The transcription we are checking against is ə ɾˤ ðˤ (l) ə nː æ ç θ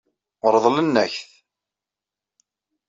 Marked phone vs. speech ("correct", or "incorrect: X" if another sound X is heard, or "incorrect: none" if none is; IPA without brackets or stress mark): correct